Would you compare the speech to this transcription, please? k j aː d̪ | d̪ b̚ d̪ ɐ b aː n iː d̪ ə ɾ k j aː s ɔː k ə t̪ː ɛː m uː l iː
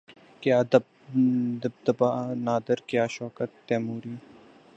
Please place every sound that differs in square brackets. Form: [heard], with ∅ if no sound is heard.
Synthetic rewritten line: k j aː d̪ | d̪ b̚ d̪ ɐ b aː n [aː] d̪ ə ɾ k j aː [ʃ] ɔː k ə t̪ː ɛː m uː [ɾ] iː